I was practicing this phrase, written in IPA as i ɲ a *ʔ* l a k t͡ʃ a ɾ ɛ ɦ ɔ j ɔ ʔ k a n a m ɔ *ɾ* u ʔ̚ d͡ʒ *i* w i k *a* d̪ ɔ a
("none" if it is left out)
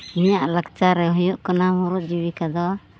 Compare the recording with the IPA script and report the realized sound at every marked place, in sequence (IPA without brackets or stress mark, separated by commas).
ʔ, ɾ, i, a